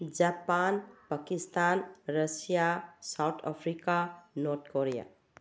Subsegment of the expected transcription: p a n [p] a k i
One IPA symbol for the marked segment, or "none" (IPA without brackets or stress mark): p